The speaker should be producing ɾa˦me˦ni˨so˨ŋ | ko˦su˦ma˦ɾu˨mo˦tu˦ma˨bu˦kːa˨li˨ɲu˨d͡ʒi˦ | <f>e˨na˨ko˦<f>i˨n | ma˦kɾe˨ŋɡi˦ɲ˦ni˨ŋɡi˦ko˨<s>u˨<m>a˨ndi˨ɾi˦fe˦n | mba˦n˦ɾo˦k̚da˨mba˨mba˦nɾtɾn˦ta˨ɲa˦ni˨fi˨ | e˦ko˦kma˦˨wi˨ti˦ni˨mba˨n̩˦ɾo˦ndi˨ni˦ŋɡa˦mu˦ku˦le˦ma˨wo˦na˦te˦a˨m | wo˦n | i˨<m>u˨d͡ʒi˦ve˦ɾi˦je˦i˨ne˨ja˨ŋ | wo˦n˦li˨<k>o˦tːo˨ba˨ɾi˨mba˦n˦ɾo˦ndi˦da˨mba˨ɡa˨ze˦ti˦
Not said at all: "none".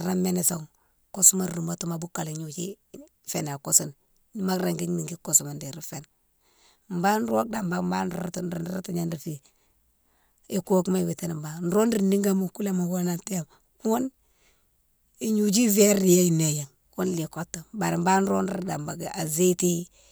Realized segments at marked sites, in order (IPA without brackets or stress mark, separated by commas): f, s, s, m, ɲ, k